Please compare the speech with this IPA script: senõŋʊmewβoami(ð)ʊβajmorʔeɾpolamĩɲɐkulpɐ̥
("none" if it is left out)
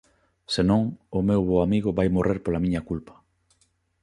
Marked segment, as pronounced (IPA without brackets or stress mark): ɣ